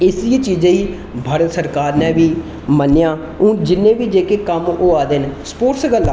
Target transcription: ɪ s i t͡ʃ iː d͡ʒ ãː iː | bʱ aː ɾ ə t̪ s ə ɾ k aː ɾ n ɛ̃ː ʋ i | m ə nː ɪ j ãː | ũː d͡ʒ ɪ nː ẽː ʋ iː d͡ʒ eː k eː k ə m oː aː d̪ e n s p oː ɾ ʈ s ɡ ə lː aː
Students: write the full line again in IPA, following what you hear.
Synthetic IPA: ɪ s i t͡ʃ iː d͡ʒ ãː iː | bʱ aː ɾ ə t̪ s ə ɾ k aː ɾ n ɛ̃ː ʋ iː | m ə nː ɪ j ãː | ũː d͡ʒ ɪ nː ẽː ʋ iː d͡ʒ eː k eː k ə m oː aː d̪ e n s p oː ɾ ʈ s ɡ ə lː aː